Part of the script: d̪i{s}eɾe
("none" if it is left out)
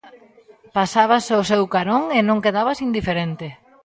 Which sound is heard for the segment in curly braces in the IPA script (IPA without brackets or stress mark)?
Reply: f